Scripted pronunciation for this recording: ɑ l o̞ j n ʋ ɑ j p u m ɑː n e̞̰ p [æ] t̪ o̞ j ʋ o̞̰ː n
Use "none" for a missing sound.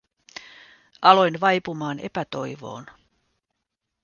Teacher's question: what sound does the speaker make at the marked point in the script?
æ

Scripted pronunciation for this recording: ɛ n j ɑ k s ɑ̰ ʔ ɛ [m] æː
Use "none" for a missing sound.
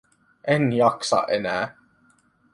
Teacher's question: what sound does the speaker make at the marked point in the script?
n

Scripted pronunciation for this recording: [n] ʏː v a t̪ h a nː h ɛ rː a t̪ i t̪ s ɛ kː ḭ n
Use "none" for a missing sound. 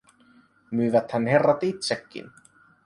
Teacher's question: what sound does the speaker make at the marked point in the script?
m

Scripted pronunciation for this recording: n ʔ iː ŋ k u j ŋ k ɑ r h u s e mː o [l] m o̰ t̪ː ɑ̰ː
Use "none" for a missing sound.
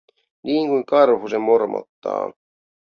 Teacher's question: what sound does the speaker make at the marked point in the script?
r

